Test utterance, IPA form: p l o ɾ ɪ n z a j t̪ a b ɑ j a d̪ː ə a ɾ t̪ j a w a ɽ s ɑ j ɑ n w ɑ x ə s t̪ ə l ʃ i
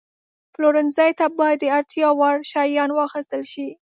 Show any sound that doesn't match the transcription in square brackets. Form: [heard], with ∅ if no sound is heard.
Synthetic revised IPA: p l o ɾ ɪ n z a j t̪ a b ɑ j a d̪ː ə a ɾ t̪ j [ɑ] w [ɑ] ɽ [ʃ] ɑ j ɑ n w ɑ x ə s t̪ ə l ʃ i